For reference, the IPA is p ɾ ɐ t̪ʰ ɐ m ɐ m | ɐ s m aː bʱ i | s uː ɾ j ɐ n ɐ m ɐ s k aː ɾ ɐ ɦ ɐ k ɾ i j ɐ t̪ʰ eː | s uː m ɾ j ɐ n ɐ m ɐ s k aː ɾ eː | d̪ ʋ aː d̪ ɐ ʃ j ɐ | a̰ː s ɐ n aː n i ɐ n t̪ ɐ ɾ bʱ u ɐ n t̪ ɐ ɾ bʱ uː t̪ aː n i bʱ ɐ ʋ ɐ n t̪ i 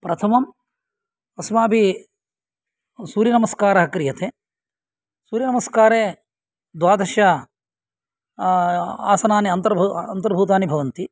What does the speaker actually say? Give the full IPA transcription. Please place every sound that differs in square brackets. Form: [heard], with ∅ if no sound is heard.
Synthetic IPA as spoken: p ɾ ɐ t̪ʰ ɐ m ɐ m | ɐ s m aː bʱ i | s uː ɾ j ɐ n ɐ m ɐ s k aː ɾ ɐ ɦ ɐ k ɾ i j ɐ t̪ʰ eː | s uː [∅] ɾ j ɐ n ɐ m ɐ s k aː ɾ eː | d̪ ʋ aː d̪ ɐ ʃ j ɐ | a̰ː s ɐ n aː n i ɐ n t̪ ɐ ɾ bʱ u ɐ n t̪ ɐ ɾ bʱ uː t̪ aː n i bʱ ɐ ʋ ɐ n t̪ i